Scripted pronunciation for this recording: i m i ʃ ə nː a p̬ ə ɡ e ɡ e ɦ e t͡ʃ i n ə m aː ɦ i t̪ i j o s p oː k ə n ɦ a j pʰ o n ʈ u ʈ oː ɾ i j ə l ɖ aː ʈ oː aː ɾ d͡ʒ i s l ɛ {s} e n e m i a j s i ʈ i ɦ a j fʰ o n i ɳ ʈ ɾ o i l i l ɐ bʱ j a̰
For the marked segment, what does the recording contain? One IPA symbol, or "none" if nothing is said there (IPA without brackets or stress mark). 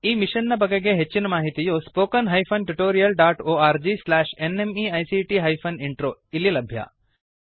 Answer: ʃ